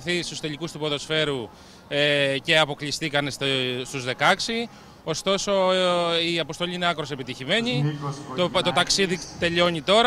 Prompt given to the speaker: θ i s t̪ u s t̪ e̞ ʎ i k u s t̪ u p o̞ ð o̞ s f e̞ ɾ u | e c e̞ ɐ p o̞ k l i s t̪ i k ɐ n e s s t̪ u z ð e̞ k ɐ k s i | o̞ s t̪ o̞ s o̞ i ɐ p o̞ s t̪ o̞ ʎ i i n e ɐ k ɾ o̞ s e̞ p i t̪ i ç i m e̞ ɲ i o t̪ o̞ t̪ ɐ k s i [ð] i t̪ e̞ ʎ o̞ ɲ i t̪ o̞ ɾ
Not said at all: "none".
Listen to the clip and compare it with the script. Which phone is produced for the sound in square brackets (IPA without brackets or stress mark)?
ð